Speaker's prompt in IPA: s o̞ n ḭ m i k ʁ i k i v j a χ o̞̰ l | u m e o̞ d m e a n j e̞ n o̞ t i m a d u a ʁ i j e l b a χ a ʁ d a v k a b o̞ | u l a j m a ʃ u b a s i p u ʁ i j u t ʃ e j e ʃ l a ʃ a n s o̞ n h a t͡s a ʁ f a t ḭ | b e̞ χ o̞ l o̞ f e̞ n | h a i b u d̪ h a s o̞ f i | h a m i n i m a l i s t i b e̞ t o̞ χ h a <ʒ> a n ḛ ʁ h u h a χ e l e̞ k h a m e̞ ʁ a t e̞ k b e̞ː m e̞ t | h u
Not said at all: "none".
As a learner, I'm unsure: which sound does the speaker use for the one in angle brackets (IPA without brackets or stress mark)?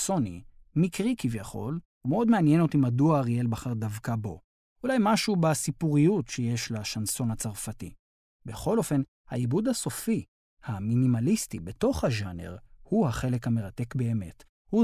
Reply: ʒ